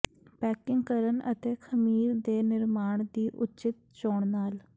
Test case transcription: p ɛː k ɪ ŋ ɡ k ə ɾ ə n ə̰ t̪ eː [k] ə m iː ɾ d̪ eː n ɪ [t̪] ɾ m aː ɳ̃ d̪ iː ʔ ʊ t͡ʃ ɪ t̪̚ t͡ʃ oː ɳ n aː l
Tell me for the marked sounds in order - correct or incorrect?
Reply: incorrect: kʰ, incorrect: none

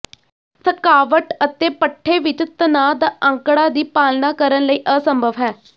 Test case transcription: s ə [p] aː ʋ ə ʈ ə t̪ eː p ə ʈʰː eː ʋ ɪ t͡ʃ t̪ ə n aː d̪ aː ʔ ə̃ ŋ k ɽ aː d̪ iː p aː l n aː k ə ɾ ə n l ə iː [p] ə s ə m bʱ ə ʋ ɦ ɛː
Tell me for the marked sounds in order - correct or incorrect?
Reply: incorrect: k, incorrect: ʔ

